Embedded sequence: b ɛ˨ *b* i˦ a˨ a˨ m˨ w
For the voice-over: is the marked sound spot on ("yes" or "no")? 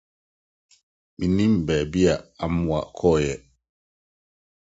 yes